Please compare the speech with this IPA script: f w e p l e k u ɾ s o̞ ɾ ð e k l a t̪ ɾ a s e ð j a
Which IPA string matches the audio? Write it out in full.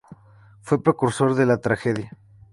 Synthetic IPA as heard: f w e p ɾ e k u ɾ s o̞ ɾ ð e l a t̪ ɾ a x e ð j a